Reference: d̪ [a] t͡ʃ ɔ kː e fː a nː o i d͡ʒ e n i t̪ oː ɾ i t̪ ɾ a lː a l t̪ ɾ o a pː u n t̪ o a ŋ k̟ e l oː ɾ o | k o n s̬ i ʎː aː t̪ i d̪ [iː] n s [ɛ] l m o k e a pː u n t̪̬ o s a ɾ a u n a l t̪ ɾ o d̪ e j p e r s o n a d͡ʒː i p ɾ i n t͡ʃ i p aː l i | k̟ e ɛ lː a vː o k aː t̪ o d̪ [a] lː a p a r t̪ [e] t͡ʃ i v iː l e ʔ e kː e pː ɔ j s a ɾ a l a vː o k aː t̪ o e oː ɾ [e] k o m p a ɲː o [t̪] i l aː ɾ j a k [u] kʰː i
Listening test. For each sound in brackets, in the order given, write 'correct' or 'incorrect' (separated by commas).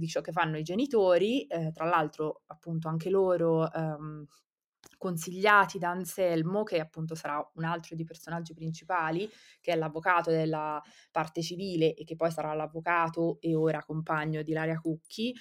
incorrect, incorrect, correct, incorrect, correct, incorrect, incorrect, correct